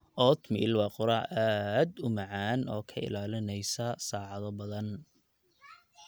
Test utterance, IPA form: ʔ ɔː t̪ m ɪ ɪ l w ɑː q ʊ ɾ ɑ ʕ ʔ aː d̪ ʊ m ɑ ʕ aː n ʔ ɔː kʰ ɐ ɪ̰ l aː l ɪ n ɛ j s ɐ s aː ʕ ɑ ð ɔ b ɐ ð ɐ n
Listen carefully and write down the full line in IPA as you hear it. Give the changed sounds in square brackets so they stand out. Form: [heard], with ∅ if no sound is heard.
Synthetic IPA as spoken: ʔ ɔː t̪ m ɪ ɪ l w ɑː q ʊ ɾ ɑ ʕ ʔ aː d̪ ʊ m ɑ ʕ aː n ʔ ɔː kʰ ɐ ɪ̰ l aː l ɪ n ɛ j s ɐ s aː ʕ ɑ ð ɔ b ɐ ð ɐ n